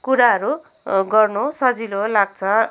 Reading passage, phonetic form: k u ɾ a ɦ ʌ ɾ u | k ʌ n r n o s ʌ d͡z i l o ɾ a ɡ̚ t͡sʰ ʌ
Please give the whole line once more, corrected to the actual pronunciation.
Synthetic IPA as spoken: k u ɾ a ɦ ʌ ɾ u | ɡ ʌ r n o s ʌ d͡z i l o l a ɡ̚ t͡sʰ ʌ